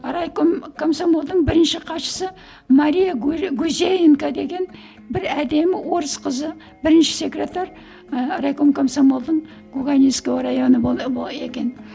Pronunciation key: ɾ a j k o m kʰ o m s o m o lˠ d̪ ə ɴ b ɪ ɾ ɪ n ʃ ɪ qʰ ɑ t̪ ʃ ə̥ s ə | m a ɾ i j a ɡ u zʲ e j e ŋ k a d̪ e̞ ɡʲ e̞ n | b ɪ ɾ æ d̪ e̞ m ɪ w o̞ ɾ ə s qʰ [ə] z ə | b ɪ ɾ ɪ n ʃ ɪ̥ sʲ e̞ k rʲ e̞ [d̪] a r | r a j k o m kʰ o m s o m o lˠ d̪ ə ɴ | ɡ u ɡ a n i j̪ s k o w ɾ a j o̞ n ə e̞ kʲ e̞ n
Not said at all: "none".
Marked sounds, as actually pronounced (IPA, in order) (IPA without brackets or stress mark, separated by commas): ə, t̪